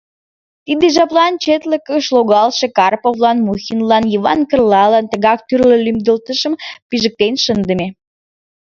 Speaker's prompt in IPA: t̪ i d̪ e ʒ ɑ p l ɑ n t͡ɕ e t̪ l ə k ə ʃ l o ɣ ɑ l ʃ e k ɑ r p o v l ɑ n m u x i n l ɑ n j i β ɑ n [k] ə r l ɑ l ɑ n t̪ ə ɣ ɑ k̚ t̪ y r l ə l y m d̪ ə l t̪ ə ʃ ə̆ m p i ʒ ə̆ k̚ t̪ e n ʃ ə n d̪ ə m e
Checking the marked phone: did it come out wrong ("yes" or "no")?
no